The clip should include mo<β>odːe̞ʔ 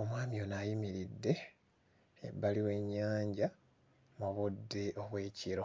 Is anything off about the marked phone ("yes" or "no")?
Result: no